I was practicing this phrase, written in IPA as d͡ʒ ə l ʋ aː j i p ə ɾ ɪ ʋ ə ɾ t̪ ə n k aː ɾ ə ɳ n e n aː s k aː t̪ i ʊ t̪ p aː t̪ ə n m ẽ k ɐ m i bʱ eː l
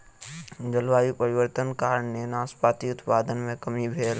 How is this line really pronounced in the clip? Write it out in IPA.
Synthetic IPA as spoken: d͡ʒ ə l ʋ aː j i p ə ɾ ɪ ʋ ə ɾ t̪ ə n k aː ɾ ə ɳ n e n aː s p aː t̪ i ʊ t̪ p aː d̪ ə n m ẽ k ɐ m i bʱ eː l